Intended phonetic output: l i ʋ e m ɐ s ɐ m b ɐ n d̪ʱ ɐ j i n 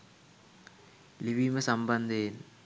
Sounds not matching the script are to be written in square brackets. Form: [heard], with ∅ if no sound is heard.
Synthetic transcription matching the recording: l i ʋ [i] m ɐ s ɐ m b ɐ n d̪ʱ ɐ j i n